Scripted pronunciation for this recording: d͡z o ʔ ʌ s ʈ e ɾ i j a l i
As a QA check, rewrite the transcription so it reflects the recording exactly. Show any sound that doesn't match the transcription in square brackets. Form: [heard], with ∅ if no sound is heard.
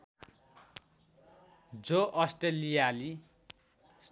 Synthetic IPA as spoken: d͡z o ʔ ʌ s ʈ e [l] i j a l i